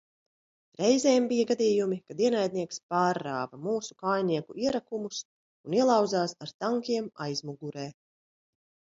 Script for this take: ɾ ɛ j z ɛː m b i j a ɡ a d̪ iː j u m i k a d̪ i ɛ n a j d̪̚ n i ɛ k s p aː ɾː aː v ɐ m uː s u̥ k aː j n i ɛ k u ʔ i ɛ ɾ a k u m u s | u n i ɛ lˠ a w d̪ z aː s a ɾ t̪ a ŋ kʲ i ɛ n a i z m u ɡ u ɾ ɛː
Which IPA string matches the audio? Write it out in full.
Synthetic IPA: ɾ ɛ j z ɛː m b i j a ɡ a d̪ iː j u m i k a d̪ i ɛ n a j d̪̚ n i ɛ k s p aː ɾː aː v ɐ m uː s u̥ k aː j n i ɛ k u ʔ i ɛ ɾ a k u m u s | u n i ɛ lˠ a w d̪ z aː s a ɾ t̪ a ŋ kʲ i ɛ m a j z m u ɡ u ɾ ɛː